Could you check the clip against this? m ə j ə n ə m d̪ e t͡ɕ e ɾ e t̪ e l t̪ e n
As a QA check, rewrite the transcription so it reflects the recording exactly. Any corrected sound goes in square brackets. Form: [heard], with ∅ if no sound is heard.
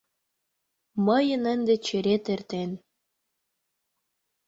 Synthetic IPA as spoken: m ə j ə n ə [n] d̪ e t͡ɕ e ɾ e t̪ e [r] t̪ e n